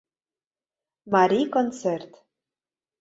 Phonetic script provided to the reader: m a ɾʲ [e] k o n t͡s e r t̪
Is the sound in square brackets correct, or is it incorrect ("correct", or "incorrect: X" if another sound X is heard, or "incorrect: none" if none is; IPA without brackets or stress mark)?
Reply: incorrect: i